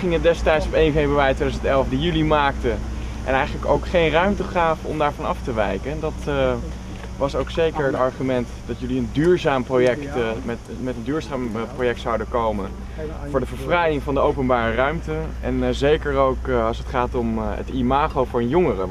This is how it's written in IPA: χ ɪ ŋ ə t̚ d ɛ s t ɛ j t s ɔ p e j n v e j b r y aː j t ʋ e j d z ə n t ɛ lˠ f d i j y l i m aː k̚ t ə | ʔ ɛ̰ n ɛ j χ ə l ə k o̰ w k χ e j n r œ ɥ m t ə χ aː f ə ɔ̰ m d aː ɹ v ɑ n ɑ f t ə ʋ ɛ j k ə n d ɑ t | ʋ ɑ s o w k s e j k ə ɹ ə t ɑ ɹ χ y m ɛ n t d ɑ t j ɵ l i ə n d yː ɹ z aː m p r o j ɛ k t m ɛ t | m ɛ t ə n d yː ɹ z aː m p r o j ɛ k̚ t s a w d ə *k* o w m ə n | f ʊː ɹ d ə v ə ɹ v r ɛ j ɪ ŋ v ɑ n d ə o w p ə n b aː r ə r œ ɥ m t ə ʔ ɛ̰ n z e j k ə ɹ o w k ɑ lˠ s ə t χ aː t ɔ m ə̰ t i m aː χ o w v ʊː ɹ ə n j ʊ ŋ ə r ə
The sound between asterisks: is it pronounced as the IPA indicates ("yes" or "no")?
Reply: yes